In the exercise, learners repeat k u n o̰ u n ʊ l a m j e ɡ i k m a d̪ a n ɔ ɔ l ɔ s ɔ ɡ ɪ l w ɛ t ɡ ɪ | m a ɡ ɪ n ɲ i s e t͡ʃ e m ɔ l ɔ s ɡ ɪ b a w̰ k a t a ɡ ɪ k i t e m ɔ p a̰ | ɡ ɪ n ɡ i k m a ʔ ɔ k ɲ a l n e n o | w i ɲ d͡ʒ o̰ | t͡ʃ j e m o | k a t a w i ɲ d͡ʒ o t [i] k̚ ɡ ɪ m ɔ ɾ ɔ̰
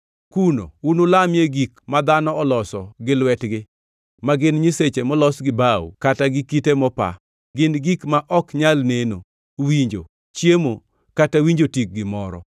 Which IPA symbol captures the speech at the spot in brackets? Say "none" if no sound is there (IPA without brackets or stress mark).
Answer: i